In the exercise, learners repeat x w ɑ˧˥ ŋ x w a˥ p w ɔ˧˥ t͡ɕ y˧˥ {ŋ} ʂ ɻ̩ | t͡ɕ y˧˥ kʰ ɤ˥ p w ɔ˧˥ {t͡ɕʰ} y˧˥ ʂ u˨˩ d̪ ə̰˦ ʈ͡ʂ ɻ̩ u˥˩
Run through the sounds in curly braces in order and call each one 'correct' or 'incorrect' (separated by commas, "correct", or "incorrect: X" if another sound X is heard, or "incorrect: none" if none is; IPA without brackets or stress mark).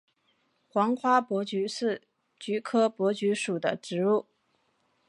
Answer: incorrect: none, incorrect: t͡ɕ